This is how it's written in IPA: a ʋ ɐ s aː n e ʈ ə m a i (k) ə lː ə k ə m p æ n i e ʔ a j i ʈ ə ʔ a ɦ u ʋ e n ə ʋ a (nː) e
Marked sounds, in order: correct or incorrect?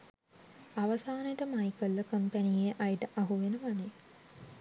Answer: correct, incorrect: n

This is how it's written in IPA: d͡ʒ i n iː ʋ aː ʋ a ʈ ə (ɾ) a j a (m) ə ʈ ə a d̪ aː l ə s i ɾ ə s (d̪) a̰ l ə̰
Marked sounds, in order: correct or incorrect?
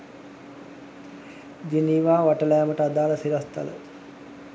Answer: incorrect: l, correct, incorrect: t̪

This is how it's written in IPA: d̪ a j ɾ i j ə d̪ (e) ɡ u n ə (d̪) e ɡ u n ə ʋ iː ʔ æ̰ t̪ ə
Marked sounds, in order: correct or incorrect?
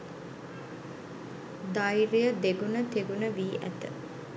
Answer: correct, incorrect: t̪

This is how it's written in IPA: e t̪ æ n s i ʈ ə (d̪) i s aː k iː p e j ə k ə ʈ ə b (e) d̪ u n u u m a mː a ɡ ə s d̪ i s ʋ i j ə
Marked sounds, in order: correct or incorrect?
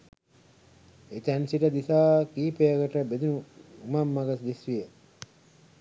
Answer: correct, correct

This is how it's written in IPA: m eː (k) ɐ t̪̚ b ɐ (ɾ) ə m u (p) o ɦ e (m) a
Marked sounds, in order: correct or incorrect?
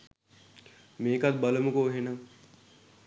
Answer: correct, incorrect: l, incorrect: k, incorrect: n

